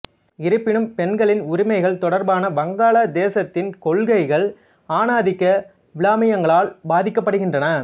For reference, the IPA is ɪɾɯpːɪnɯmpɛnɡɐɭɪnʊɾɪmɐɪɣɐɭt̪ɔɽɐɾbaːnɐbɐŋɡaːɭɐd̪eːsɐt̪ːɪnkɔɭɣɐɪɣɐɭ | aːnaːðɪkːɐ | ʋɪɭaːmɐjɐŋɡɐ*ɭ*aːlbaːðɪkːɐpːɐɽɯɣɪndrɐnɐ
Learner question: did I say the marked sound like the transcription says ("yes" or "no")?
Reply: yes